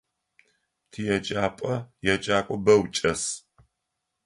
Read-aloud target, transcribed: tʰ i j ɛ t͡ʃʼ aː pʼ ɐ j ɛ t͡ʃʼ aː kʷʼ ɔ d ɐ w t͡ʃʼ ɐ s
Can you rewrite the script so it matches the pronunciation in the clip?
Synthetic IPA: tʰ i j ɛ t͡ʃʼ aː pʼ ɐ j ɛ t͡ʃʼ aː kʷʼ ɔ b ɐ w t͡ʃʼ ɐ s